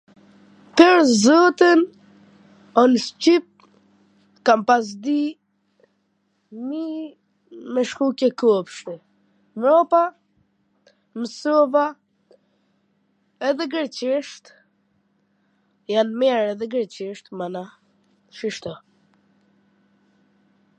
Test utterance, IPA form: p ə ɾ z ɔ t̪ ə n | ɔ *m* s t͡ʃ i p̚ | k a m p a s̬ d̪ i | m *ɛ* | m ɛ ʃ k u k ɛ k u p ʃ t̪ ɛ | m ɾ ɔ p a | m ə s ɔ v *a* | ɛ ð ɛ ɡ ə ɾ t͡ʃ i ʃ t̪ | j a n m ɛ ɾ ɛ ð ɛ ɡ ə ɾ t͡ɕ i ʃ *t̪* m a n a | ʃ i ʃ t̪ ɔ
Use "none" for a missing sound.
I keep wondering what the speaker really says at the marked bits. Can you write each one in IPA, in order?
n, i, a, t̪

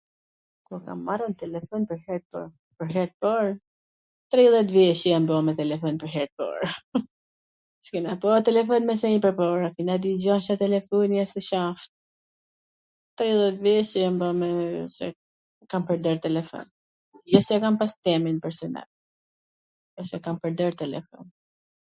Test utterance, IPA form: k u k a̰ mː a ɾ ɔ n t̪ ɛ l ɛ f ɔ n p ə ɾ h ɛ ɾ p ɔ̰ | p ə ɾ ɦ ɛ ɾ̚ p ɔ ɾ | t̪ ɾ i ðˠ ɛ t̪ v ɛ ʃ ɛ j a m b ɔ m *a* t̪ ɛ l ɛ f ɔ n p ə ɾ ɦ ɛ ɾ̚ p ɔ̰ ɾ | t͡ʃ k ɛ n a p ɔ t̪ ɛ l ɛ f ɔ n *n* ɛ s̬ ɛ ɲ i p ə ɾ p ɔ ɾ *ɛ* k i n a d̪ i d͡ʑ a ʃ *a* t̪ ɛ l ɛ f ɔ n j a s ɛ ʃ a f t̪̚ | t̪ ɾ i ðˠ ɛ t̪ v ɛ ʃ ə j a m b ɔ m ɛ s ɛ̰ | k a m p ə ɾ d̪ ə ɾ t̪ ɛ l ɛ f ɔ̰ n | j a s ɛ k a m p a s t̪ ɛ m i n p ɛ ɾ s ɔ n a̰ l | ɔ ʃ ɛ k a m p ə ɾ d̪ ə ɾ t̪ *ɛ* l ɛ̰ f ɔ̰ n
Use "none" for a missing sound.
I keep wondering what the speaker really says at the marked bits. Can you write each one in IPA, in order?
ɛ, m, a, a, ɛ

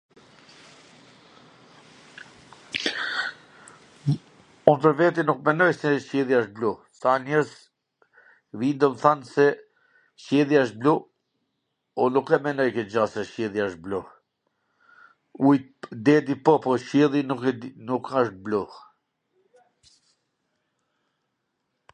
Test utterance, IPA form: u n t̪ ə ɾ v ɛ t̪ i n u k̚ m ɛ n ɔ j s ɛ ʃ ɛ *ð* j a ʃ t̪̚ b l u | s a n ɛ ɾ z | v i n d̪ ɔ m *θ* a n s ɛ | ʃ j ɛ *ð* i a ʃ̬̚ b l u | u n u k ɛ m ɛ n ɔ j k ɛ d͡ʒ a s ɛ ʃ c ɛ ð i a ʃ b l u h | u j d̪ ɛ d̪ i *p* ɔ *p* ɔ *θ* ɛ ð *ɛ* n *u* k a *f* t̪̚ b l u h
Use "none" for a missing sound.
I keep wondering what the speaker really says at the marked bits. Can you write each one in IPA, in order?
ð, θ, ð, p, p, ʃ, i, u, ʃ

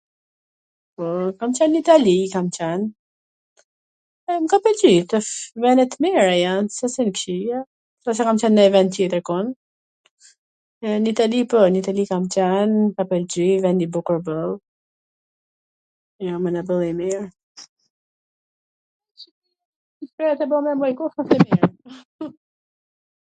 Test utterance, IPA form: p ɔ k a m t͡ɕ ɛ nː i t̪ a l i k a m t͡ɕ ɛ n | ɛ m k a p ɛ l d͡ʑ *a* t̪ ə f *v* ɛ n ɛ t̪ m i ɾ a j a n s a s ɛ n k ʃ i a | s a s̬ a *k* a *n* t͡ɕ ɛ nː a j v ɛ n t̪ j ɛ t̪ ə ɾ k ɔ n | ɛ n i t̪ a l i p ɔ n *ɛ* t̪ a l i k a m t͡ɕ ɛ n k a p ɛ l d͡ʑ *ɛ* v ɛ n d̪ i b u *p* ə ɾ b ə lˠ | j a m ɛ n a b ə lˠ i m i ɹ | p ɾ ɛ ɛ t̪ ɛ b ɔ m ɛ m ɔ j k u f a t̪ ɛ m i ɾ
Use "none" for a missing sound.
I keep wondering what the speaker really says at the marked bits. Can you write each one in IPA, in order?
i, v, k, m, i, i, k

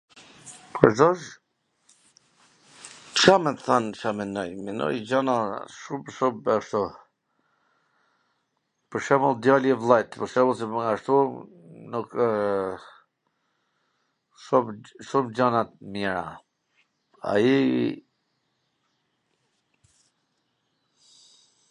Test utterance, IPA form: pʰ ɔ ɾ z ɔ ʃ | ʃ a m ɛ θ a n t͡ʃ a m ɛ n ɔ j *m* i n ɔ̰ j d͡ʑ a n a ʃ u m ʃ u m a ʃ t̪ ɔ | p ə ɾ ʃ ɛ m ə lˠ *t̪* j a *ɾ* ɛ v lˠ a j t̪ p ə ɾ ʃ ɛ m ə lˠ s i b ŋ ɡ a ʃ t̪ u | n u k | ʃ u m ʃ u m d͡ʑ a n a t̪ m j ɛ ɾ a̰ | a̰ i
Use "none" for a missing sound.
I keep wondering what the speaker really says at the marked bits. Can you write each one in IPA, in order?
m, d̪, l

